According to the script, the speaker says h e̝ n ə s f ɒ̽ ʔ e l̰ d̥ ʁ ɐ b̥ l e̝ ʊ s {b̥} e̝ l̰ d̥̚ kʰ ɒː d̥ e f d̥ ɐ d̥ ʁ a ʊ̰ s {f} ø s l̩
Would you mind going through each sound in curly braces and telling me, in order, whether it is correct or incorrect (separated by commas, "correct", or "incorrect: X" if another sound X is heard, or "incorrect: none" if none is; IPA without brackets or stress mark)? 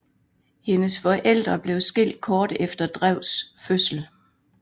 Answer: incorrect: ɡ̥, correct